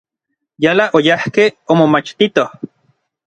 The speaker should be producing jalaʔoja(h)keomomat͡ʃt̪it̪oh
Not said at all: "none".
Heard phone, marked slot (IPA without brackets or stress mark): h